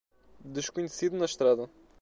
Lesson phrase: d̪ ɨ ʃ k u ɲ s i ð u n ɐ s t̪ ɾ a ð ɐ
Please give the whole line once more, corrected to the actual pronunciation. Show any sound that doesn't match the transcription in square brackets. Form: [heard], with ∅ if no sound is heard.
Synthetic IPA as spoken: d̪ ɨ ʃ k u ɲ s i ð u n ɐ [ʃ] t̪ ɾ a ð ɐ